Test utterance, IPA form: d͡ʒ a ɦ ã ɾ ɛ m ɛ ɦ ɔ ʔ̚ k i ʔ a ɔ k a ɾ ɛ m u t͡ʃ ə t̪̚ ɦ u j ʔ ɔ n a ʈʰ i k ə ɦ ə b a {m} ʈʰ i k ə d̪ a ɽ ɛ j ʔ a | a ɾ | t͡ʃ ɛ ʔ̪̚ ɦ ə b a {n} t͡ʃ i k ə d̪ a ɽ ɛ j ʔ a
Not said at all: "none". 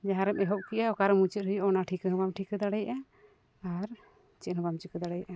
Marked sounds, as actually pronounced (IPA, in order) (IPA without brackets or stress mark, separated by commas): m, m